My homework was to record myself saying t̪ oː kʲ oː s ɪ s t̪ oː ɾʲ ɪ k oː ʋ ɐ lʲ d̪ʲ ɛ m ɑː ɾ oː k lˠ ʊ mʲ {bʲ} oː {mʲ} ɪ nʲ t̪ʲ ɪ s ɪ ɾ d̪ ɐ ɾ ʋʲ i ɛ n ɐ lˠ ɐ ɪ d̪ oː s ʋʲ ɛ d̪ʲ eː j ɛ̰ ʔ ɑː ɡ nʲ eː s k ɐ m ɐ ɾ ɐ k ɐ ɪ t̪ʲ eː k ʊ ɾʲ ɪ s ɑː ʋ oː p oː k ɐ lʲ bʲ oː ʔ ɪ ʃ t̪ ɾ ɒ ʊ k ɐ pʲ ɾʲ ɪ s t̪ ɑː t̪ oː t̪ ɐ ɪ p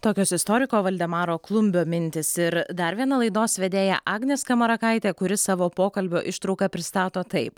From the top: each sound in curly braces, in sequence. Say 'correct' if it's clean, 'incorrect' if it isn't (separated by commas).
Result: correct, correct